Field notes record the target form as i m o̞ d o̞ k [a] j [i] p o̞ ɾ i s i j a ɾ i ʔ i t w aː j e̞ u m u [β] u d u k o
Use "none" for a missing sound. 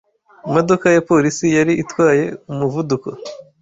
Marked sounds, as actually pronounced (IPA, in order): a, a, v

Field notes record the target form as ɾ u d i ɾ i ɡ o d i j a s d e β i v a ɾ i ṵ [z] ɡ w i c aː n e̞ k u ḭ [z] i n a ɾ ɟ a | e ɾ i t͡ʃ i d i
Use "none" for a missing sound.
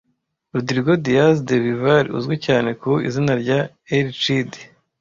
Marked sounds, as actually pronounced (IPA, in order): z, z

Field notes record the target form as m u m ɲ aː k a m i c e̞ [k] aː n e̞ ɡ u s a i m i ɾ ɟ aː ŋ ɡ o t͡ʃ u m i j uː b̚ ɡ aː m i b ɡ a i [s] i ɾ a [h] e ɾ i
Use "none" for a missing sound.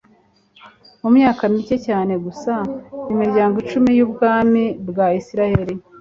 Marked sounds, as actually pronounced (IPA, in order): c, s, h

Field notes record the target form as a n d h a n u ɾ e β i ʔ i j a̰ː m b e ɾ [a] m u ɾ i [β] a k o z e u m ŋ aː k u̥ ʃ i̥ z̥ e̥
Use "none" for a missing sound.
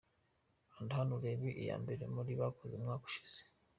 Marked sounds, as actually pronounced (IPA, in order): e, β

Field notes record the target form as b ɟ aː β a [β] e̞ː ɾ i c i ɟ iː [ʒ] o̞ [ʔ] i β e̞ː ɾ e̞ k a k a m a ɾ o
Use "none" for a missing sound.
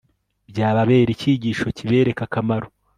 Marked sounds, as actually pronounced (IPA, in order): β, ʃ, c

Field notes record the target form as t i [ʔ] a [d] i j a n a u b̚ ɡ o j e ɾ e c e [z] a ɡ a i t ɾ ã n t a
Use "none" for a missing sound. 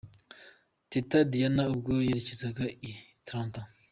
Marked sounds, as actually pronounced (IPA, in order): t, d, z

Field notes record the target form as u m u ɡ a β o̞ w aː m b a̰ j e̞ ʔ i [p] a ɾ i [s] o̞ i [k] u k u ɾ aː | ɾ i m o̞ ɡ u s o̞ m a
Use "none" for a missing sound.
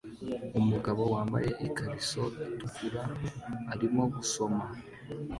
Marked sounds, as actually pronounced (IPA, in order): k, s, t

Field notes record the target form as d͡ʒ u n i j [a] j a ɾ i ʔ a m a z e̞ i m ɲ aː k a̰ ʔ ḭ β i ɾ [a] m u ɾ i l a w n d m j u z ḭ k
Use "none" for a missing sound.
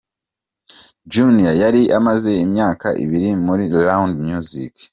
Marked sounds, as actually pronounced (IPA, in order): a, i

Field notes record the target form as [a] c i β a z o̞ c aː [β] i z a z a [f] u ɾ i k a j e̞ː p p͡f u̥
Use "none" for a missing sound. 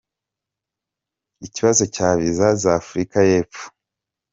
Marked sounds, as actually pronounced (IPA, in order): i, β, f

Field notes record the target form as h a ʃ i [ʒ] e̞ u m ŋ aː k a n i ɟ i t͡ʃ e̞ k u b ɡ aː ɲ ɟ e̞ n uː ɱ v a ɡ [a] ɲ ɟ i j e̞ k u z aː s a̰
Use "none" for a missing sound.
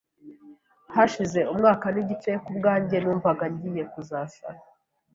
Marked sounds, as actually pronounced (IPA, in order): z, a

